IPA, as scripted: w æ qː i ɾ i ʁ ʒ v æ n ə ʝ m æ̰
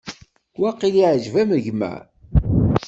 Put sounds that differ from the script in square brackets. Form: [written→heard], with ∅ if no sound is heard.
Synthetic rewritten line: w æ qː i [ɾ→l] i [ʁ→ʕ] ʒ v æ [n→m] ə ʝ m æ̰